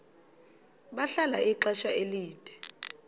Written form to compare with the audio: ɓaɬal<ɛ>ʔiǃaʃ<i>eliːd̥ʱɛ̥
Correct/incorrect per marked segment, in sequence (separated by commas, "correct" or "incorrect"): incorrect, incorrect